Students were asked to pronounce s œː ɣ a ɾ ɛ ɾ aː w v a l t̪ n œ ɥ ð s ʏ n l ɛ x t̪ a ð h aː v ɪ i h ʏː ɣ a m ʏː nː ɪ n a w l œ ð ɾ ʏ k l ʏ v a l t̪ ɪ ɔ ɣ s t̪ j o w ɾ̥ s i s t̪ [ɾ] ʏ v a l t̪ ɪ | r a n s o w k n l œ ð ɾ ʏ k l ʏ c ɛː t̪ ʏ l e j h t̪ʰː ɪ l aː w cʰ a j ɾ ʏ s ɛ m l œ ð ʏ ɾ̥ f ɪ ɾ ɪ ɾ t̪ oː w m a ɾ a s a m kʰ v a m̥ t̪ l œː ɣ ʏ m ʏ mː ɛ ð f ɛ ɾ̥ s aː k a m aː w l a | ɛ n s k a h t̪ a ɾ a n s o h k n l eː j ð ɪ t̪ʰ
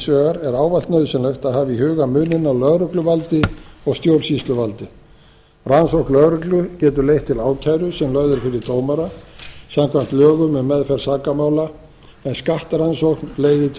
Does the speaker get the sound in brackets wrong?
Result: yes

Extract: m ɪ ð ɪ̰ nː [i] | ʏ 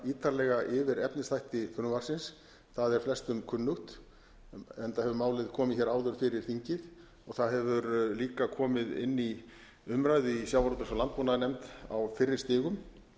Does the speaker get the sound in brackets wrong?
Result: no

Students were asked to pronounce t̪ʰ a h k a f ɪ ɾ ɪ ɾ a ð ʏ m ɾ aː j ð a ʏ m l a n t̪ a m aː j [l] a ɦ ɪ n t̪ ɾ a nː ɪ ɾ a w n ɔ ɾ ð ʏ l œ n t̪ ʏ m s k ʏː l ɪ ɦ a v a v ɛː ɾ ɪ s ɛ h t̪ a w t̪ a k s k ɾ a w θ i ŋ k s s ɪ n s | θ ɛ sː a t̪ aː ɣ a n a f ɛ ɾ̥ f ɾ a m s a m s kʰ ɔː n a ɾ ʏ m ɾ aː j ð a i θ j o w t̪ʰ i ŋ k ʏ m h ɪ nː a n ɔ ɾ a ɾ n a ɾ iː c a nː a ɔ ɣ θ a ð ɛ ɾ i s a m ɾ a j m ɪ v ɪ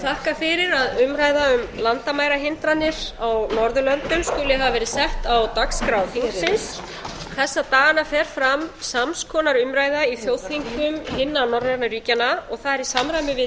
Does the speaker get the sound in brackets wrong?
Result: yes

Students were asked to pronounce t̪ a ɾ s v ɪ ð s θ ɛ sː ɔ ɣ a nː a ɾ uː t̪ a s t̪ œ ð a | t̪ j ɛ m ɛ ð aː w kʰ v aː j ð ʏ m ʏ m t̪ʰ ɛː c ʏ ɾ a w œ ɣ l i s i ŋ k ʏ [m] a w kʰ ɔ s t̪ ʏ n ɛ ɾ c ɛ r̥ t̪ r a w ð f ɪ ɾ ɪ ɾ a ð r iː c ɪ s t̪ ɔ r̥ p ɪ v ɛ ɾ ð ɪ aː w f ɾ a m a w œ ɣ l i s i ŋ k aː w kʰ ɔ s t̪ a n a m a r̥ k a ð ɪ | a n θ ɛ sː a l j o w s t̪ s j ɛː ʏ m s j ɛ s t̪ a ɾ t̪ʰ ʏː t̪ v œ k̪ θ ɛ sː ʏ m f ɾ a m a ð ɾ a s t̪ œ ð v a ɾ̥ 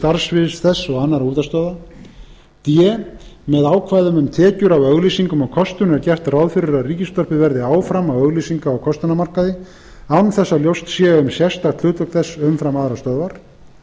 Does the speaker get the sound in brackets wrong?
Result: no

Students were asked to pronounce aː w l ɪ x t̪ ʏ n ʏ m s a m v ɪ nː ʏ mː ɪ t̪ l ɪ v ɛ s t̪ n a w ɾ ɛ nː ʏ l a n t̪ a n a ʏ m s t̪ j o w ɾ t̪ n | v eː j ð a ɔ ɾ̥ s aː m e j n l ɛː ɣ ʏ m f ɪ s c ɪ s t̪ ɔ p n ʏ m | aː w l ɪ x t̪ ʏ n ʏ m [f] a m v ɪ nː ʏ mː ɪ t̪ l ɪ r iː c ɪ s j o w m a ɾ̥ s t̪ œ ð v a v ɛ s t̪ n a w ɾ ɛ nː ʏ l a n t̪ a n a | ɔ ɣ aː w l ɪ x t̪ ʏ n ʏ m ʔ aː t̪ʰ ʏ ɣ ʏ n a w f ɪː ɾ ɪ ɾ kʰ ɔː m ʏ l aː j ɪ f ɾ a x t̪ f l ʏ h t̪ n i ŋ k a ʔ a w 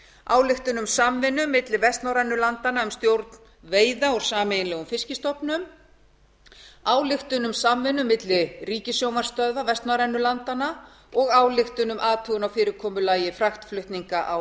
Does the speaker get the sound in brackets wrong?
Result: yes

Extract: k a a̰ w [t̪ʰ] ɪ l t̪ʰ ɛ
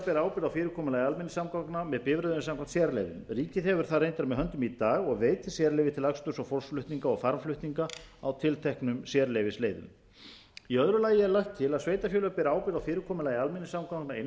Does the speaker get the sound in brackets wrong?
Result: no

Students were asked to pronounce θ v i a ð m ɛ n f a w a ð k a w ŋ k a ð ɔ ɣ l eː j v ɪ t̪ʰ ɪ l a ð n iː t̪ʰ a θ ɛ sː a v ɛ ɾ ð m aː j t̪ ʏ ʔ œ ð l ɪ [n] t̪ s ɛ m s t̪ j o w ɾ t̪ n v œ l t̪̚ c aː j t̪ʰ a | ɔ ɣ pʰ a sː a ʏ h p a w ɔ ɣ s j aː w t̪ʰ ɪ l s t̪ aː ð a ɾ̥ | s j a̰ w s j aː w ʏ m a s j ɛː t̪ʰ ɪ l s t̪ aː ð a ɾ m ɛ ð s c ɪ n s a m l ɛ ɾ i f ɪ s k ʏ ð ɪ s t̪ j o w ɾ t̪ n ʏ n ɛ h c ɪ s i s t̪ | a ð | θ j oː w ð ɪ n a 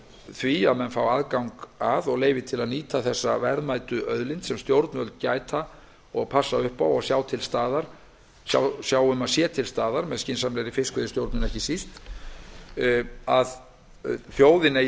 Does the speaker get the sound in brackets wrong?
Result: no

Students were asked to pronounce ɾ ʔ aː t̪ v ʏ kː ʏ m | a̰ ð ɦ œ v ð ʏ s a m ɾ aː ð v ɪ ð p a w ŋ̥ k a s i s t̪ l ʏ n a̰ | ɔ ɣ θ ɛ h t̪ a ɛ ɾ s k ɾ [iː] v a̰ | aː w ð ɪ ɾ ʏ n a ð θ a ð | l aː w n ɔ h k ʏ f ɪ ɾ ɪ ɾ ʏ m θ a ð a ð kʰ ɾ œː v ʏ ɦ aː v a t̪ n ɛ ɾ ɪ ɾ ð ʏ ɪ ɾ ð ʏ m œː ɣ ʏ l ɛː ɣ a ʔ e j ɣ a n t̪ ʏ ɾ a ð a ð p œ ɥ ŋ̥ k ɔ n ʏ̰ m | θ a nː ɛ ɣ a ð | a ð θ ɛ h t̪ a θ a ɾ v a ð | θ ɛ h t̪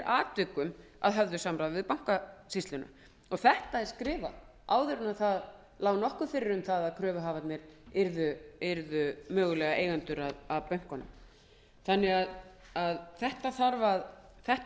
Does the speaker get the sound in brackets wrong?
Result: yes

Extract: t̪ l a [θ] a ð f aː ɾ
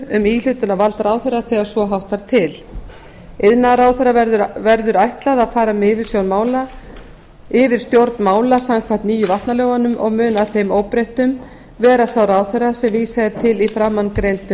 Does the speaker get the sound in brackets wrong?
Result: yes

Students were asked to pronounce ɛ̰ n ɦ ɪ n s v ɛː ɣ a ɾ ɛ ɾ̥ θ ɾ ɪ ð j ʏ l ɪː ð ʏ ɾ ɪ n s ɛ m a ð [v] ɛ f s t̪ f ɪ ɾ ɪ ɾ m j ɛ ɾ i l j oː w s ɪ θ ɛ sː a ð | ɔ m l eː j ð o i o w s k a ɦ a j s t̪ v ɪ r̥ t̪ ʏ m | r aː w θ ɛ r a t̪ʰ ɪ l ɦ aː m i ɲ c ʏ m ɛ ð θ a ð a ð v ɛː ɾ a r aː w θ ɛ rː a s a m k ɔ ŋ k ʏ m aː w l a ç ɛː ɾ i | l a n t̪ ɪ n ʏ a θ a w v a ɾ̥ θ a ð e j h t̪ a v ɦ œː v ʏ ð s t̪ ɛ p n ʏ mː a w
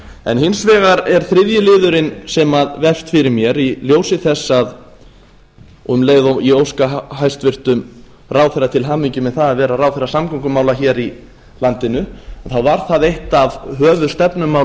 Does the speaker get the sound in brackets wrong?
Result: no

